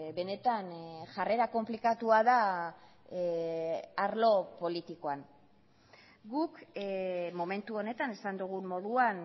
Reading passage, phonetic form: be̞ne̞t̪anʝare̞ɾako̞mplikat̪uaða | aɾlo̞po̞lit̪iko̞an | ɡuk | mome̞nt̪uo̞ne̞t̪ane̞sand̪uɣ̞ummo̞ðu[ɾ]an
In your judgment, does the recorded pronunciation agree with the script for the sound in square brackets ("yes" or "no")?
no